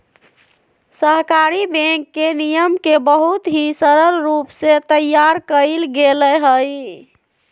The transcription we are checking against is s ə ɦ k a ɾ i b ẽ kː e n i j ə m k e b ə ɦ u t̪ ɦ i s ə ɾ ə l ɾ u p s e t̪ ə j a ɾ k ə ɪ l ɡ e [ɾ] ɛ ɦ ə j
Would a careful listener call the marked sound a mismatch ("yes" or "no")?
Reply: yes